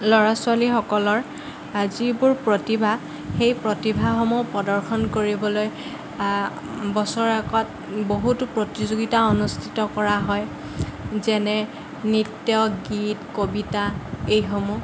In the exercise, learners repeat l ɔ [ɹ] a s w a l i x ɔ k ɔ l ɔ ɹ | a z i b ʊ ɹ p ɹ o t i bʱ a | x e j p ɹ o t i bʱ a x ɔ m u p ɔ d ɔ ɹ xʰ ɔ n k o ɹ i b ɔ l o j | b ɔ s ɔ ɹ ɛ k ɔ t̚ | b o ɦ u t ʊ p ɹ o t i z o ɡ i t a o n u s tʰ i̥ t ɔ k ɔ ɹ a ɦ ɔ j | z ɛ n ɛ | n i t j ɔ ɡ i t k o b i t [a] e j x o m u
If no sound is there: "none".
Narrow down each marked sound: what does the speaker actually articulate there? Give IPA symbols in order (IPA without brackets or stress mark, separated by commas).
ɹ, a